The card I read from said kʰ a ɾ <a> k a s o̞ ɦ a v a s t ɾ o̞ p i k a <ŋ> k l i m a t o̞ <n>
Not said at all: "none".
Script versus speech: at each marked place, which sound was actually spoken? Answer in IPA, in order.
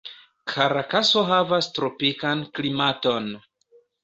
a, n, n

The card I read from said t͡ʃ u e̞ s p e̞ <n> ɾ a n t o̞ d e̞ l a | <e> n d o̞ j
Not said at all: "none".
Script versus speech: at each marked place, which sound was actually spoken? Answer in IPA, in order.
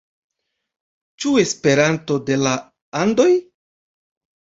none, a

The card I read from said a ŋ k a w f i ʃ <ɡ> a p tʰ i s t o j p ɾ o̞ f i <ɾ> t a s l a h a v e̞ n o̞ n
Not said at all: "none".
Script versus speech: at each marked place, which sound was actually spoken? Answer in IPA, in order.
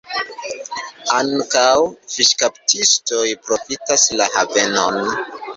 k, none

